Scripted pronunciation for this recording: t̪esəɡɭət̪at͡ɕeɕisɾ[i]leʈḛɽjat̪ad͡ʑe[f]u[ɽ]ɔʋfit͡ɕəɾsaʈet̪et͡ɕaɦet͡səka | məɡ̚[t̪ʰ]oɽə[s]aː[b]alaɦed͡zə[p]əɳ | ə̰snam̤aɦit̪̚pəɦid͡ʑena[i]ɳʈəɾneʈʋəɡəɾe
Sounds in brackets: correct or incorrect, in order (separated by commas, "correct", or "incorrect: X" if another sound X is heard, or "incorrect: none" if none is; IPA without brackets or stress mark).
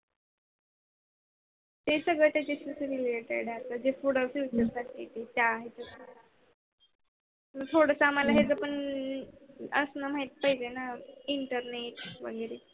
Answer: correct, correct, correct, correct, correct, incorrect: m, correct, correct